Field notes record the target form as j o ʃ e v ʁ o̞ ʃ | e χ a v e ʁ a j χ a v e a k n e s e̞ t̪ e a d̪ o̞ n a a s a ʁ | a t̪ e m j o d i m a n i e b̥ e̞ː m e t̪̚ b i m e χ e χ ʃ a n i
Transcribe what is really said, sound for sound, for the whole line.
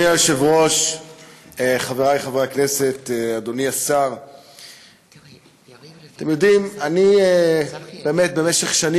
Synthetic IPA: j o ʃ e v ʁ o̞ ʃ | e χ a v e ʁ a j χ a v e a k n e s e̞ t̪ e a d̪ o̞ n i a s a ʁ | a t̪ e m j o d i m a n i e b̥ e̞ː m e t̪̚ b e m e ʃ e χ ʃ a n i